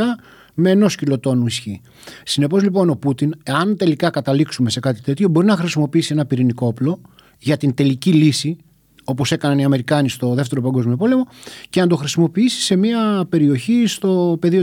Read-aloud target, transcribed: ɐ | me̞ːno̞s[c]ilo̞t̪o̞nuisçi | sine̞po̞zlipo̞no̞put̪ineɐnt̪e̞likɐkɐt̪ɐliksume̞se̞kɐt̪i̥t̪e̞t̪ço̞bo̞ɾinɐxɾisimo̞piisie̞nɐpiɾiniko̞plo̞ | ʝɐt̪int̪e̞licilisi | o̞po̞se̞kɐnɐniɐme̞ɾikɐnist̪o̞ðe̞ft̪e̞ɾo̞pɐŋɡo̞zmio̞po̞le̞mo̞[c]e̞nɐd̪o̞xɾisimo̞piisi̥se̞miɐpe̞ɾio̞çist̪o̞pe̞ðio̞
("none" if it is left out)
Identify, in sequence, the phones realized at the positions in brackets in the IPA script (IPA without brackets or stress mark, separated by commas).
c, c